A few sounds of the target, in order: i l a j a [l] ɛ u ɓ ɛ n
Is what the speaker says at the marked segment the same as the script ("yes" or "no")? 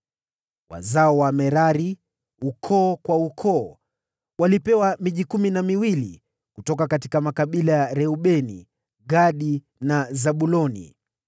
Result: no